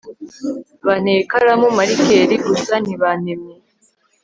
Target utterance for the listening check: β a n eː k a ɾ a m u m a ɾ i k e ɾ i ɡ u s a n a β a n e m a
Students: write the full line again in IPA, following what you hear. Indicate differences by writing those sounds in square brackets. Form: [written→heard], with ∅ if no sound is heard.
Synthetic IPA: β a n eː k a ɾ a m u m a ɾ i k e ɾ i ɡ u s a n [a→i] β a n e m [a→e]